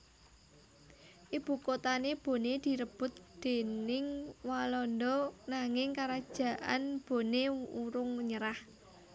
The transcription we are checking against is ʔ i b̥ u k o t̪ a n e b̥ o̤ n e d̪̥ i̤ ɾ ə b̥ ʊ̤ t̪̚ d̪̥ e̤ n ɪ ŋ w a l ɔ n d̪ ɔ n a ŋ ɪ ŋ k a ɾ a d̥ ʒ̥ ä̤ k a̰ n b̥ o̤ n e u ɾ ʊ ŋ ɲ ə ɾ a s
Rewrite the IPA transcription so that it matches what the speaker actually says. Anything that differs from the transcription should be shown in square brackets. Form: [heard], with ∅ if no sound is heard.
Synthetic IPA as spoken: ʔ i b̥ u k o t̪ a n e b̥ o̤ n e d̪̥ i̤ ɾ ə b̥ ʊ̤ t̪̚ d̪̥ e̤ n ɪ ŋ w a l ɔ n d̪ ɔ n a ŋ ɪ ŋ k a ɾ a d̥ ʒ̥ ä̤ [ʔ] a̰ n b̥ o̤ n e u ɾ ʊ ŋ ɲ ə ɾ a [h]